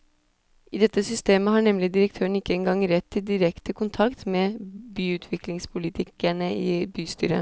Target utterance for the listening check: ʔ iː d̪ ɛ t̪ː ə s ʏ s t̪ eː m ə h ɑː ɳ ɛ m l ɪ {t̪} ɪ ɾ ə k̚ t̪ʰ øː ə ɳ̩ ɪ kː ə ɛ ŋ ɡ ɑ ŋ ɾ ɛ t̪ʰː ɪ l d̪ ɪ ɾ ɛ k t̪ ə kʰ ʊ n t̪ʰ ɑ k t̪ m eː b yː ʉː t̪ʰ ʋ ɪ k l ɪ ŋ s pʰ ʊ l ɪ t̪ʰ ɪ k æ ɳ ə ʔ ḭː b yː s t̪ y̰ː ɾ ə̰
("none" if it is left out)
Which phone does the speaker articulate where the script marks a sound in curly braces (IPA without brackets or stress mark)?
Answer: d̪